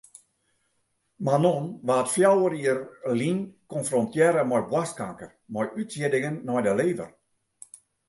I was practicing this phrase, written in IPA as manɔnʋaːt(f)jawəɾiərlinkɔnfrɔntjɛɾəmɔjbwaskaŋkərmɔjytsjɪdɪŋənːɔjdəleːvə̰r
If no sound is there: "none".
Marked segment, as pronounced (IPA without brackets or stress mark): f